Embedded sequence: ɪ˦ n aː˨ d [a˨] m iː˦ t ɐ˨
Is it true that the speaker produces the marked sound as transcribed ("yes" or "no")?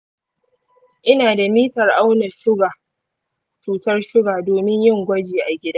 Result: yes